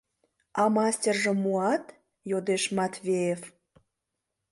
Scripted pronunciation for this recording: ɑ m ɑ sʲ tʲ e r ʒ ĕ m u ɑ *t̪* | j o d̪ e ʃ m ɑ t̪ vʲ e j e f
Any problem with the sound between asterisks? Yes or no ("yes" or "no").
no